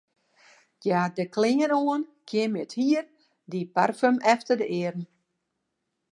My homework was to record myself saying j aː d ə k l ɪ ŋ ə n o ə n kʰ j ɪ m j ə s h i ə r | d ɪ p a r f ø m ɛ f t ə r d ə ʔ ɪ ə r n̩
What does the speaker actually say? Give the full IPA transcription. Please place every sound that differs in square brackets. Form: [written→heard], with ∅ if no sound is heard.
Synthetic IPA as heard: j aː d ə k l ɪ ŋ ə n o ə n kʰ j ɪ m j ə [s→t] h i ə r | d [ɪ→i] p a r f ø m ɛ f t ə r d ə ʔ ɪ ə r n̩